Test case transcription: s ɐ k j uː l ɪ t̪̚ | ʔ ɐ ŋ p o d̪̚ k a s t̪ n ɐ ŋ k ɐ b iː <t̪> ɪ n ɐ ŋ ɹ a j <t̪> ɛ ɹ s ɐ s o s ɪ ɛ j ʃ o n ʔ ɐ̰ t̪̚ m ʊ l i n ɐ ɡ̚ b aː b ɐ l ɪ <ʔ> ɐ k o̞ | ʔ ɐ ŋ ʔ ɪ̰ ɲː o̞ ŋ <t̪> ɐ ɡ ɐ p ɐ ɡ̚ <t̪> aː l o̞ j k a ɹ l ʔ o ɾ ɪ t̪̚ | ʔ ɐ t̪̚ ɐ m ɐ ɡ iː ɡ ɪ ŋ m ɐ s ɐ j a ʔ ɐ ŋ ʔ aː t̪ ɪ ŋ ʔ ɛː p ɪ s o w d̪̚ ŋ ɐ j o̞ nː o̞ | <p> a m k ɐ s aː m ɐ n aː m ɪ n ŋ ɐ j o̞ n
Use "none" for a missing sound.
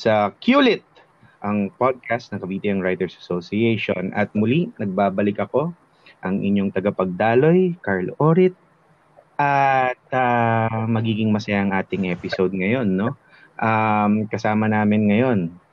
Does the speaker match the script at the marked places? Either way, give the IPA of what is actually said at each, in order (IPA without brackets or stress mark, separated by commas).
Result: t̪, t̪, k, t̪, d̪, ʔ